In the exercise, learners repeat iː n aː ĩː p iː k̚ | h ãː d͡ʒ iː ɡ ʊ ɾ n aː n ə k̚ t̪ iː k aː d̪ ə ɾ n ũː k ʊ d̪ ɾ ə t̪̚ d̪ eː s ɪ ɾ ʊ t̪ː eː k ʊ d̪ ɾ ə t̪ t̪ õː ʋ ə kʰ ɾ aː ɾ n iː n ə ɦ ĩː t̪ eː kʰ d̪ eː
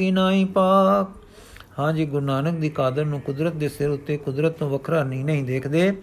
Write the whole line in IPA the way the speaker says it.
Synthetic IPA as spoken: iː n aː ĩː p aː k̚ | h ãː d͡ʒ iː ɡ ʊ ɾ n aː n ə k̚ d̪ iː k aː d̪ ə ɾ n ũː k ʊ d̪ ɾ ə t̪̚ d̪ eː s ɪ ɾ ʊ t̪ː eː k ʊ d̪ ɾ ə t̪ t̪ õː ʋ ə kʰ ɾ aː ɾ n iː n ə ɦ ĩː d̪ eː kʰ d̪ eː